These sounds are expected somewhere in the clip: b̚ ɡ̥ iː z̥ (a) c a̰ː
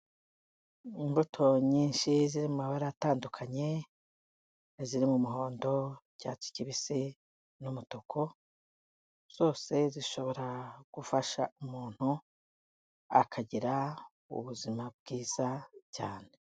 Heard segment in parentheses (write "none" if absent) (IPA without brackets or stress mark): a